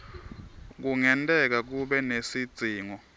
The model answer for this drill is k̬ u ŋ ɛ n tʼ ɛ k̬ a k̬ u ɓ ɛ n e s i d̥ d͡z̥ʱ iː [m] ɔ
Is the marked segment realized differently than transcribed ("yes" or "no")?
yes